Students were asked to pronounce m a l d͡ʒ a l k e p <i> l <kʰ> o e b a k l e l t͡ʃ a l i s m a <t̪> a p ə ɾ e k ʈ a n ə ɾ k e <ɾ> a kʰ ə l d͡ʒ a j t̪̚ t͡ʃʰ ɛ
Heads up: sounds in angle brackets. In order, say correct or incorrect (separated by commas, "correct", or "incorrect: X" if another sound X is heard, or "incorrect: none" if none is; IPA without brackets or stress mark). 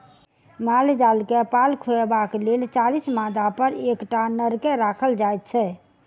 incorrect: a, correct, incorrect: d̪, correct